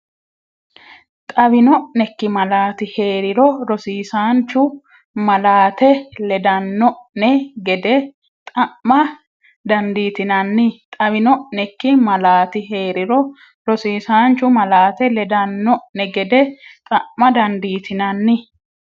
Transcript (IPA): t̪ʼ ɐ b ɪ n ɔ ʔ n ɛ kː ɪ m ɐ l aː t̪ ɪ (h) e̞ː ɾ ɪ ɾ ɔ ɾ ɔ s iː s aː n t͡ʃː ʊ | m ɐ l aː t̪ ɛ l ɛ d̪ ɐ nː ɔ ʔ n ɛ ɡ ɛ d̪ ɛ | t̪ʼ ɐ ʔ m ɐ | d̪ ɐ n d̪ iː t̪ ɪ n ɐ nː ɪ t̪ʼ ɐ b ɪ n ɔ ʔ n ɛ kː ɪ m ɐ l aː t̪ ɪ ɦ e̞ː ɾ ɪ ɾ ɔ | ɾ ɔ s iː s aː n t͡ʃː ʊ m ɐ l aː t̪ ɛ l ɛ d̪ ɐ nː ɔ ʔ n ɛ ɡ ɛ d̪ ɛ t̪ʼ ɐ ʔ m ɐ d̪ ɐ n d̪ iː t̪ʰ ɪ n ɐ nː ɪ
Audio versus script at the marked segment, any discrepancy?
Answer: no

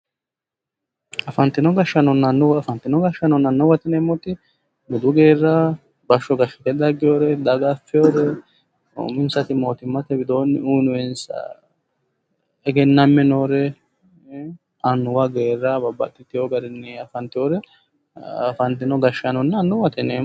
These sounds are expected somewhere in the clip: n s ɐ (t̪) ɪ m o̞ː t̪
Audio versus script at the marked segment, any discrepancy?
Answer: no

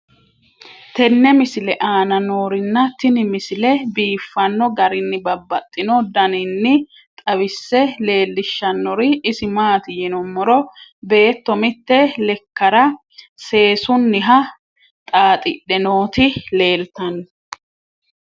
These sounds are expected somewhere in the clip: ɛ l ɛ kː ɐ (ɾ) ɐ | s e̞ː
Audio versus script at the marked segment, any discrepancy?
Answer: no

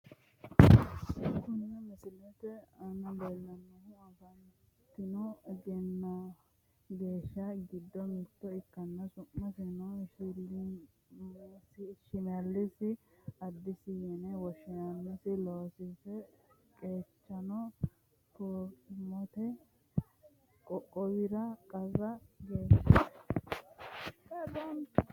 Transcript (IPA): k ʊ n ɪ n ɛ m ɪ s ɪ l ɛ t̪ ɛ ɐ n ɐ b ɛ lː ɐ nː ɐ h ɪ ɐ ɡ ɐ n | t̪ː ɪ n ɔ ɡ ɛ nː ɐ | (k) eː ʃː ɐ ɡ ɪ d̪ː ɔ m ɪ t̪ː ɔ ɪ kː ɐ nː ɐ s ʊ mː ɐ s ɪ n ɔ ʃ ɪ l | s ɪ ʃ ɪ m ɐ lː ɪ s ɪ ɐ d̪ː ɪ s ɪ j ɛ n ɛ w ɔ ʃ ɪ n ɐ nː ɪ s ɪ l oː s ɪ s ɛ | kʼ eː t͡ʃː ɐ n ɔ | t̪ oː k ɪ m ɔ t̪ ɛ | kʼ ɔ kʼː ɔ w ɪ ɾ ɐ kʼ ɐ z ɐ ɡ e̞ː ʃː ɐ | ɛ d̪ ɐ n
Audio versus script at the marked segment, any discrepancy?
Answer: yes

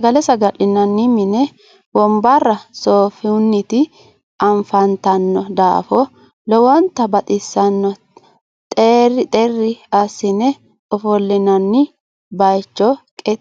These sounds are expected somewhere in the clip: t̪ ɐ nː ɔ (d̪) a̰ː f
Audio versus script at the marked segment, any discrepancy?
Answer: no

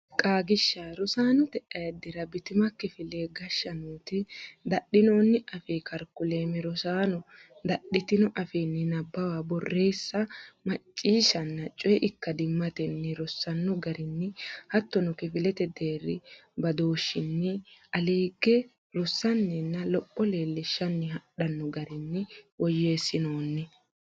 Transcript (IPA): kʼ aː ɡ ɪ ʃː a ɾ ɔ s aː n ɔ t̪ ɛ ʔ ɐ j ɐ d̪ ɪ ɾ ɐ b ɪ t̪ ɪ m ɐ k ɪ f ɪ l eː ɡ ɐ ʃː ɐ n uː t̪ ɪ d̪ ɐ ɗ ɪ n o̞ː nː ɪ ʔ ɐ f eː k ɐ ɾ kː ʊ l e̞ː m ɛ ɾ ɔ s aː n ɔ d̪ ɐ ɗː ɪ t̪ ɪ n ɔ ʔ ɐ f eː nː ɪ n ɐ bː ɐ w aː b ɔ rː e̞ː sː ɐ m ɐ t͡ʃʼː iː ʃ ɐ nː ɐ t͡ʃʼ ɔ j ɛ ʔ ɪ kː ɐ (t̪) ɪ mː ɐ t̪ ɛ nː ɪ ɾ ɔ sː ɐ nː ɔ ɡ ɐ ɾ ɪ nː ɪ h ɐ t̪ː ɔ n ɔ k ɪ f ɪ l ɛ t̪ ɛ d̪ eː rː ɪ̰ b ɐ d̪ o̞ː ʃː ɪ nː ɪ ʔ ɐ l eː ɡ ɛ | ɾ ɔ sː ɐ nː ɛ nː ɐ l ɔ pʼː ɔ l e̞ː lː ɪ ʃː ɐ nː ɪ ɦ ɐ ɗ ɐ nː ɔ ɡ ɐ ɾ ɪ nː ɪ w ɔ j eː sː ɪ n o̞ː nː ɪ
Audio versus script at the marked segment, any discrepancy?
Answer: yes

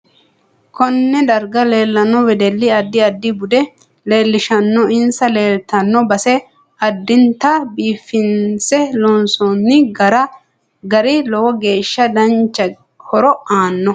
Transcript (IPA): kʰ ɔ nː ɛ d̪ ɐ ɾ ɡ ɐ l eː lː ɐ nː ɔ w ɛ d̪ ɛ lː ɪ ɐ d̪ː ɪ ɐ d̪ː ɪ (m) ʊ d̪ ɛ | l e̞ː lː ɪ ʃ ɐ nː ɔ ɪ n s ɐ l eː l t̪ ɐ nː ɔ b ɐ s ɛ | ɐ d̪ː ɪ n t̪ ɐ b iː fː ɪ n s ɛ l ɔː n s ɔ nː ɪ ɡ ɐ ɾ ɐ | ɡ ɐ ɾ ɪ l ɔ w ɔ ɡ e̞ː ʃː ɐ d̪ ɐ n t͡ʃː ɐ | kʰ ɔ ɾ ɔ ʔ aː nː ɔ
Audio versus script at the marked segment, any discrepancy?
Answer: yes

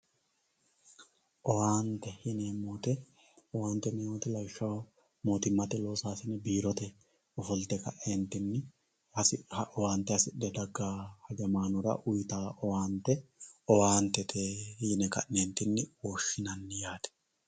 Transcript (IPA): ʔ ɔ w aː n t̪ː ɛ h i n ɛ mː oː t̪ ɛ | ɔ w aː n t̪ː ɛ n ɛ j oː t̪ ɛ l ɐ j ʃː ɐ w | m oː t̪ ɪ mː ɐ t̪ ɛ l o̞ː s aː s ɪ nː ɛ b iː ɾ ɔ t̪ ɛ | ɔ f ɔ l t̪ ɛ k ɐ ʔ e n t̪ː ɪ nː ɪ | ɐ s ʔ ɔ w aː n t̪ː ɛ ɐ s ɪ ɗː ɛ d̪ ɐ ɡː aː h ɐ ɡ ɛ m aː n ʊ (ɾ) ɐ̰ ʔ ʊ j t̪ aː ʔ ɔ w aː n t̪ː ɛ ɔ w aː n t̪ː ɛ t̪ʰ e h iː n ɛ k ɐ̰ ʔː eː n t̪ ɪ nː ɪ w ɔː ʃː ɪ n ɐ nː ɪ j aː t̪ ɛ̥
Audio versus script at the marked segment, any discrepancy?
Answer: no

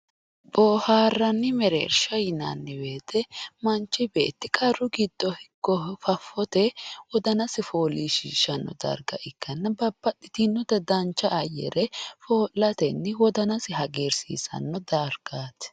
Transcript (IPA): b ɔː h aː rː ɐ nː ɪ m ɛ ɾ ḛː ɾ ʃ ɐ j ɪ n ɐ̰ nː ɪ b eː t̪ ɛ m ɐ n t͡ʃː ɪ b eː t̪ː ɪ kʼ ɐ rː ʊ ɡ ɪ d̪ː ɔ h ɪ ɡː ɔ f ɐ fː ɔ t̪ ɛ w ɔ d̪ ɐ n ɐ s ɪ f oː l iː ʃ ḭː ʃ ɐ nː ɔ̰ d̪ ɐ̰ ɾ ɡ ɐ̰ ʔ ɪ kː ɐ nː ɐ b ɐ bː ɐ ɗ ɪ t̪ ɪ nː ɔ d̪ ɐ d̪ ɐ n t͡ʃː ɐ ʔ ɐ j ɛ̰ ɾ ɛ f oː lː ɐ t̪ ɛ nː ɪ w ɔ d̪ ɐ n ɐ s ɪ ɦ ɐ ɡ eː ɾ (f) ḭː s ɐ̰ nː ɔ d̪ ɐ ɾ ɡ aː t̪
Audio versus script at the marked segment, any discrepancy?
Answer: yes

